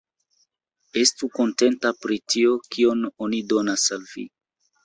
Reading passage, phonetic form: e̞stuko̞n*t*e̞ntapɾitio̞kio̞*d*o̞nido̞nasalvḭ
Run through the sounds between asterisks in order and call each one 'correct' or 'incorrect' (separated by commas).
correct, incorrect